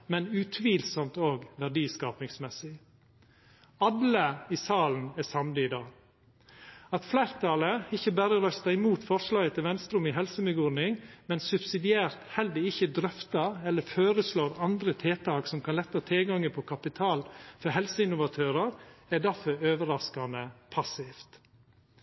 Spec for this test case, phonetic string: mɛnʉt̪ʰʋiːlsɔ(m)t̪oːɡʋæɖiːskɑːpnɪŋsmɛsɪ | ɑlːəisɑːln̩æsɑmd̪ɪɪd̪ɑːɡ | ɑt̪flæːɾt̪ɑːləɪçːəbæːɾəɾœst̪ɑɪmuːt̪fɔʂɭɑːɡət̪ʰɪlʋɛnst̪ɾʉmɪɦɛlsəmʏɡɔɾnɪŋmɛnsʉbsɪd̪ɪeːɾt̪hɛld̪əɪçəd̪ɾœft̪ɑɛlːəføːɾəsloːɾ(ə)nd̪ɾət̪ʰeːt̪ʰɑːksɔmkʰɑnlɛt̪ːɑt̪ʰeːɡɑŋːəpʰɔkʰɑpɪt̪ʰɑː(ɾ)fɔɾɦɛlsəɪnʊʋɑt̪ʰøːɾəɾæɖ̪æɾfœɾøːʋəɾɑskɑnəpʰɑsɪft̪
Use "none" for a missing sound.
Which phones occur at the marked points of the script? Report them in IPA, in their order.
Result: m, ɑ, l

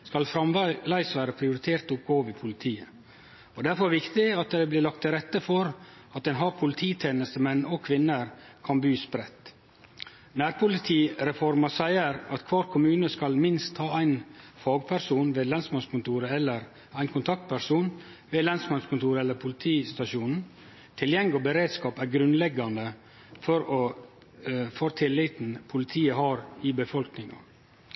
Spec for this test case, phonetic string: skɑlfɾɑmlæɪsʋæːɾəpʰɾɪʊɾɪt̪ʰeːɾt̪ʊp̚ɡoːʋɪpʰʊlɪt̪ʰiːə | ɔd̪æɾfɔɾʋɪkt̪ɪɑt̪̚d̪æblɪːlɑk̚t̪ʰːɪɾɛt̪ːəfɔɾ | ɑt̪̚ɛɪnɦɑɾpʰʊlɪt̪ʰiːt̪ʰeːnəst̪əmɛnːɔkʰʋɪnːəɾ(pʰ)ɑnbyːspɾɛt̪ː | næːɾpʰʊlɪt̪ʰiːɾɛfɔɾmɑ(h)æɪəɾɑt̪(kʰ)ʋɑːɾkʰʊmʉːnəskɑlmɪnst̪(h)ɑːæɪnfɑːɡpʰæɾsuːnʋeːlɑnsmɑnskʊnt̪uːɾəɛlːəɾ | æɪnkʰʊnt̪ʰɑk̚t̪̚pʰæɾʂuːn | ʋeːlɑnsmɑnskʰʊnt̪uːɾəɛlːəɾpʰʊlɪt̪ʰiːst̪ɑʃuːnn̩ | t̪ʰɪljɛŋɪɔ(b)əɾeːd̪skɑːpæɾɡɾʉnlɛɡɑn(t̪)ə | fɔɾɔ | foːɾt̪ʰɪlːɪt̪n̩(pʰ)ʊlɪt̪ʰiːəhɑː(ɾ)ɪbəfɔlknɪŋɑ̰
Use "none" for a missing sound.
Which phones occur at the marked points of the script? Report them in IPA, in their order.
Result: kʰ, s, kʰ, h, b, d̪, pʰ, ɾ

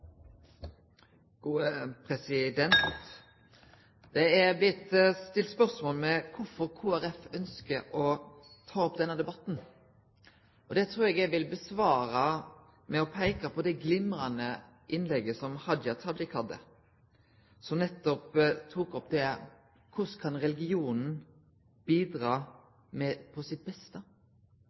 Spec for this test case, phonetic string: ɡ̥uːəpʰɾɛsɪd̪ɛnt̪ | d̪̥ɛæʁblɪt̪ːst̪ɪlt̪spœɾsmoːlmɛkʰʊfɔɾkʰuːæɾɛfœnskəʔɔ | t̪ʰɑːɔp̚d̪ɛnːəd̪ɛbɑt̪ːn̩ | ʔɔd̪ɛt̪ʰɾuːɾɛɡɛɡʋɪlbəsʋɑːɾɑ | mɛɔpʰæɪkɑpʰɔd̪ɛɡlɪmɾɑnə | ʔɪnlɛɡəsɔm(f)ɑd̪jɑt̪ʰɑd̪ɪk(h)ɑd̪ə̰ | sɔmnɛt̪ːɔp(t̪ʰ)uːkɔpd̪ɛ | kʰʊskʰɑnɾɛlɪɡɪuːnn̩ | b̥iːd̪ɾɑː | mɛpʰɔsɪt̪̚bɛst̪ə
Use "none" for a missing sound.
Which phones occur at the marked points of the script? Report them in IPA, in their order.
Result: h, h, t̪ʰ

